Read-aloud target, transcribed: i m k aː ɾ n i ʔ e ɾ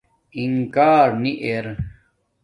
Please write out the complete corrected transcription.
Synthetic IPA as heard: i ŋ k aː ɾ n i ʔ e ɾ